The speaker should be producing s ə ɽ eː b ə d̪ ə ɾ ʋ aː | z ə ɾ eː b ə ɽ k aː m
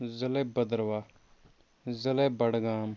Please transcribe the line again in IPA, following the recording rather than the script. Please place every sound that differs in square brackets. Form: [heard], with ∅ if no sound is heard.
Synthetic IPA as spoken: [z] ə [l] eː b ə d̪ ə ɾ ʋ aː | z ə [l] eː b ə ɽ [ɡ] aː m

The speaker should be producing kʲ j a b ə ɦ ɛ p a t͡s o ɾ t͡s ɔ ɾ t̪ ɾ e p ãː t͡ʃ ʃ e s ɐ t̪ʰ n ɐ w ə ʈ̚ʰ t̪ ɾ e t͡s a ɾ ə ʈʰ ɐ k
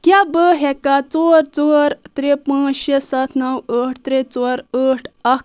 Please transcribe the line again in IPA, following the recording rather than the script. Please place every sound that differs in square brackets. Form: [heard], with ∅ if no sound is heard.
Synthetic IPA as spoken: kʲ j a b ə ɦ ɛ [k] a t͡s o ɾ t͡s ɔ ɾ t̪ ɾ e p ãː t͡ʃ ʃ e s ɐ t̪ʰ n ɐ w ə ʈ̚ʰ t̪ ɾ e t͡s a ɾ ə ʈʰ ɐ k

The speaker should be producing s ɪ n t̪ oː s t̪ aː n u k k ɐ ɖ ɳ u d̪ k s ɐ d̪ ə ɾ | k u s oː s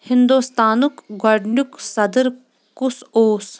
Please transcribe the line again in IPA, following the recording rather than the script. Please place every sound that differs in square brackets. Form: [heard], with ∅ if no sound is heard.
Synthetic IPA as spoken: [h] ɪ n [d̪] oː s t̪ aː n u k [ɡ] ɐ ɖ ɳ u [∅] k s ɐ d̪ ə ɾ | k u s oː s

